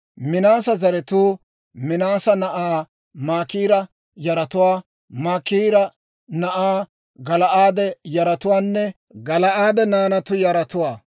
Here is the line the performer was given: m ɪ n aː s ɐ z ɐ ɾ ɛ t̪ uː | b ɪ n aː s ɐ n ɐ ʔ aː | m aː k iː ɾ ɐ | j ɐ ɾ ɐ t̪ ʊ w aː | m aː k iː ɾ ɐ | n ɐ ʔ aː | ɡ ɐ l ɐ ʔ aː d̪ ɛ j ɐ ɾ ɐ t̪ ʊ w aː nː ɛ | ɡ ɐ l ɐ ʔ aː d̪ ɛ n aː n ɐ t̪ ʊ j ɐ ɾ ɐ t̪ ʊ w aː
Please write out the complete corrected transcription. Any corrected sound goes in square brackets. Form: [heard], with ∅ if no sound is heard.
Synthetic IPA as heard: m ɪ n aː s ɐ z ɐ ɾ ɛ t̪ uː | [m] ɪ n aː s ɐ n ɐ ʔ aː | m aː k iː ɾ ɐ | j ɐ ɾ ɐ t̪ ʊ w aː | m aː k iː ɾ ɐ | n ɐ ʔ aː | ɡ ɐ l ɐ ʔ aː d̪ ɛ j ɐ ɾ ɐ t̪ ʊ w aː nː ɛ | ɡ ɐ l ɐ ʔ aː d̪ ɛ n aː n ɐ t̪ ʊ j ɐ ɾ ɐ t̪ ʊ w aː